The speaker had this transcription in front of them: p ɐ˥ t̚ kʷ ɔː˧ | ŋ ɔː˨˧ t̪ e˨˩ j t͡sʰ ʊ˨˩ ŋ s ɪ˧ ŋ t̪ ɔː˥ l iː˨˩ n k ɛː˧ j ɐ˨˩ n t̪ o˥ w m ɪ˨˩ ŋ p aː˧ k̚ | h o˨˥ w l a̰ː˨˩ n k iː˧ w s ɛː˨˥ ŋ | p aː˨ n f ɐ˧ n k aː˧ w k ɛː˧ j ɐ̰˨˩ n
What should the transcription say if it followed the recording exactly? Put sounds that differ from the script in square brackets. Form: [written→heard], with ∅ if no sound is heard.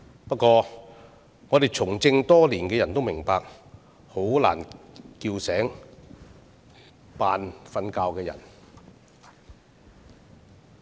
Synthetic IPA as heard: p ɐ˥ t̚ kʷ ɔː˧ | ŋ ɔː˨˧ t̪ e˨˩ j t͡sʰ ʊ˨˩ ŋ [s→t͡s] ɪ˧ ŋ t̪ ɔː˥ l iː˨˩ n k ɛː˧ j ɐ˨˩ n t̪ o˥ w m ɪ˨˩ ŋ p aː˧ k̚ | h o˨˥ w l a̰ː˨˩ n k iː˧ w s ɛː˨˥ ŋ | p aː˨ n f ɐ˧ n k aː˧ w k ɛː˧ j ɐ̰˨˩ n